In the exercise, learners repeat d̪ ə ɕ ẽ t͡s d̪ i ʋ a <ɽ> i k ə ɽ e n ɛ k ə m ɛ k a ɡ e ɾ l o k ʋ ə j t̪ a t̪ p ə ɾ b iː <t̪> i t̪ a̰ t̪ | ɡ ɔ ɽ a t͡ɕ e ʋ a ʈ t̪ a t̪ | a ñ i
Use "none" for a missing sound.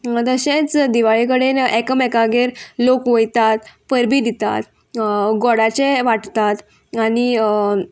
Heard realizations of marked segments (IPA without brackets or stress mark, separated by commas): ɭ, d̪